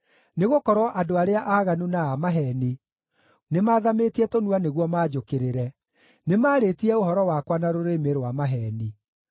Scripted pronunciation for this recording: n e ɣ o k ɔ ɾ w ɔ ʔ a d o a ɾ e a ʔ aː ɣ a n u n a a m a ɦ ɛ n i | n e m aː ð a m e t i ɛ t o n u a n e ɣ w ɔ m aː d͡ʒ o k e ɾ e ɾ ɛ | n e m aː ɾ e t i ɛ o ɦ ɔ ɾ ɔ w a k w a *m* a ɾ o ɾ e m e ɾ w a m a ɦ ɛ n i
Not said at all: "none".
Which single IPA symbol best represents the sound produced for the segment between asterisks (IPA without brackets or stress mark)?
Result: n